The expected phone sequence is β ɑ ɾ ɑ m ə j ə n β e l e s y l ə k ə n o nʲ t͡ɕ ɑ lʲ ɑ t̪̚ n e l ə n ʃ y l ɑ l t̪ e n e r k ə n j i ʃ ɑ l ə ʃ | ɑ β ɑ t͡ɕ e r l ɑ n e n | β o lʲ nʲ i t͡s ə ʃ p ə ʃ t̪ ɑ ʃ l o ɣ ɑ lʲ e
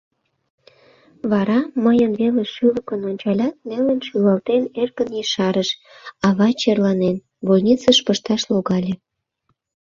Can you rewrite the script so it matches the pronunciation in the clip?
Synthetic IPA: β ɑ ɾ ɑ m ə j ə n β e l e ʃ y l ə k ə n o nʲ t͡ɕ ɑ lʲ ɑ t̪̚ n e l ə n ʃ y l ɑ l t̪ e n e r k ə n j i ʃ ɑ ɾ ə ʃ | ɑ β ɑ t͡ɕ e r l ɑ n e n | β o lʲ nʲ i t͡s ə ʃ p ə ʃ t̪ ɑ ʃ l o ɣ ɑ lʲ e